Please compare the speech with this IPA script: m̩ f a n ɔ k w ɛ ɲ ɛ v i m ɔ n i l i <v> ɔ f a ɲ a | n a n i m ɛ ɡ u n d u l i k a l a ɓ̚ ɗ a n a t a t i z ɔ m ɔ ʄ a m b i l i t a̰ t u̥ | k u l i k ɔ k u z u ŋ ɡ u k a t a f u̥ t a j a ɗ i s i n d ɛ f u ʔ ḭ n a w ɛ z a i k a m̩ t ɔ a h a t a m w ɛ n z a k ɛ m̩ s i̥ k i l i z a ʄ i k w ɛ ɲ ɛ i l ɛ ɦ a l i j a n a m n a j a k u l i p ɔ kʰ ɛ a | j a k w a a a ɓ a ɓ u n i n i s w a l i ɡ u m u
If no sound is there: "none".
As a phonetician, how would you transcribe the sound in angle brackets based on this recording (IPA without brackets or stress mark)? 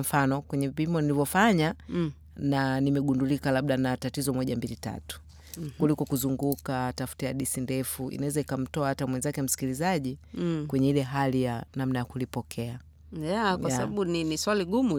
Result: v